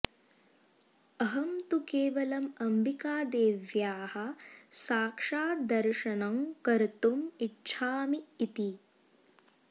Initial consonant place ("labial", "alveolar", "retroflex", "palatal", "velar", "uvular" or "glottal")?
glottal